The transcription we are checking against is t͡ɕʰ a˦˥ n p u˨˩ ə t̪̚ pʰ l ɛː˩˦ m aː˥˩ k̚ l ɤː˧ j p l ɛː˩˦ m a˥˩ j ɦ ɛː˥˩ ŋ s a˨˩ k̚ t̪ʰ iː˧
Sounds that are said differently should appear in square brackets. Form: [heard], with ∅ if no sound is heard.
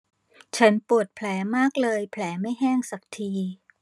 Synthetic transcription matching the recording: t͡ɕʰ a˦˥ n p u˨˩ ə t̪̚ pʰ l ɛː˩˦ m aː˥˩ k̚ l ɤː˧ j [pʰ] l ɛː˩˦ m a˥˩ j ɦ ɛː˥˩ ŋ s a˨˩ k̚ t̪ʰ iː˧

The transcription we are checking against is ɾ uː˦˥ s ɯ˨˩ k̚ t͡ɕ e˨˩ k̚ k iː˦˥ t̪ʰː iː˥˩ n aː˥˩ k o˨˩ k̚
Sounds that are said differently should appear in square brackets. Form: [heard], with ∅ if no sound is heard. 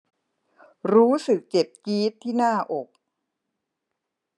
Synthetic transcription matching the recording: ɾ uː˦˥ s ɯ˨˩ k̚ t͡ɕ e˨˩ [p̚] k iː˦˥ t̪ʰː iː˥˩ n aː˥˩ [ʔ] o˨˩ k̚

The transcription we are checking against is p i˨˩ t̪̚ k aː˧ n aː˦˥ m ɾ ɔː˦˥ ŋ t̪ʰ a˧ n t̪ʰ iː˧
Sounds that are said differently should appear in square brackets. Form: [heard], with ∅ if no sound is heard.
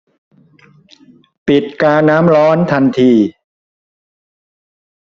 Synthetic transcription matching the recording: p i˨˩ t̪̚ k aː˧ n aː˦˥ m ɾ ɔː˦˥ [n] t̪ʰ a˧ n t̪ʰ iː˧

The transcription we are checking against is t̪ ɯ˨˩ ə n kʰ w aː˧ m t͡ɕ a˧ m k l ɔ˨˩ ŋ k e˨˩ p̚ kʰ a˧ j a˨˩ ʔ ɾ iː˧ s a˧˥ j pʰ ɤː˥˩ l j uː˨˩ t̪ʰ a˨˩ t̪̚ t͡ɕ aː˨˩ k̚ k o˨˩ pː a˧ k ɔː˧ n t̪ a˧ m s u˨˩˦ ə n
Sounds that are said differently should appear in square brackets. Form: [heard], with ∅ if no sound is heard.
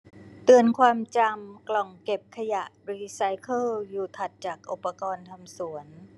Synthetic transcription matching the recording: t̪ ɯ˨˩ ə n kʰ w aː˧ m t͡ɕ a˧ m k l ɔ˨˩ ŋ k e˨˩ p̚ kʰ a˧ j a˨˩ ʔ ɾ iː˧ s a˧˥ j [kʰ] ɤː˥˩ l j uː˨˩ t̪ʰ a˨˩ t̪̚ t͡ɕ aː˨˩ k̚ [ʔ] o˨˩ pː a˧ k ɔː˧ n [t̪ʰ] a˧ m s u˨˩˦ ə n

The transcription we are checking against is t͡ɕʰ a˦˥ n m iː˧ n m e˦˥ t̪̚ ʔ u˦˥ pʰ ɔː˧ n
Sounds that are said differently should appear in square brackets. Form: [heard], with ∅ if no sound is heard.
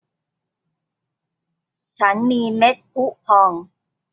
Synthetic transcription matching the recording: t͡ɕʰ a˦˥ n m iː˧ [∅] m e˦˥ t̪̚ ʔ u˦˥ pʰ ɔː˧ [ŋ]

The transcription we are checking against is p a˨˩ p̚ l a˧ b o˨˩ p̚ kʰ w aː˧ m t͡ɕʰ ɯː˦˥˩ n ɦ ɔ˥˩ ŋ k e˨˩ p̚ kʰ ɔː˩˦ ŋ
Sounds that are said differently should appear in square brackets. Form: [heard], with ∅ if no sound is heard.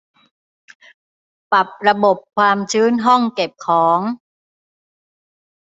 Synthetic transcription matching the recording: p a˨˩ p̚ [ɾ] a˧ b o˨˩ p̚ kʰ w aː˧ m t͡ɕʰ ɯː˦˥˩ n ɦ ɔ˥˩ ŋ k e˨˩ p̚ kʰ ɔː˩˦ ŋ

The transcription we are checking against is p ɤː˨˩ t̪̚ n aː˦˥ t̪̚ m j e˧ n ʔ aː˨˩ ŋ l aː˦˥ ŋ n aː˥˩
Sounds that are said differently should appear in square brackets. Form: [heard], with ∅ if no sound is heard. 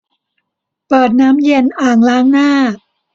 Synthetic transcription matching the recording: p ɤː˨˩ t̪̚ n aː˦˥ [∅] m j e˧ n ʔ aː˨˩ ŋ l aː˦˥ ŋ n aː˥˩

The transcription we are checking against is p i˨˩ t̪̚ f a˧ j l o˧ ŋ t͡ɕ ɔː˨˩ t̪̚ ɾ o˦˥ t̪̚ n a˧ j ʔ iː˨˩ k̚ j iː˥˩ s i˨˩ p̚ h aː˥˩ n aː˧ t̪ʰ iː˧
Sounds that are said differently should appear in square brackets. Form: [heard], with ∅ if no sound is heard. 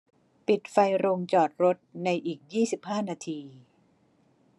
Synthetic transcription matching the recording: p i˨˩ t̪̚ f a˧ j [ɾ] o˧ ŋ t͡ɕ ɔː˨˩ t̪̚ ɾ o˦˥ t̪̚ n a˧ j ʔ iː˨˩ k̚ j iː˥˩ s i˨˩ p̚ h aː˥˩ n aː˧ t̪ʰ iː˧

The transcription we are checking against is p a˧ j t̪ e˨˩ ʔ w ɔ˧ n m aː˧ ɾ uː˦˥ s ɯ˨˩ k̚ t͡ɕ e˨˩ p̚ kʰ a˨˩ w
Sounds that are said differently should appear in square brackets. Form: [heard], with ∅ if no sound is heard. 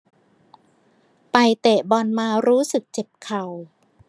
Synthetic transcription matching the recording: p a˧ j t̪ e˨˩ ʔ [b] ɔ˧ n m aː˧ ɾ uː˦˥ s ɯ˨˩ k̚ t͡ɕ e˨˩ p̚ kʰ a˨˩ w

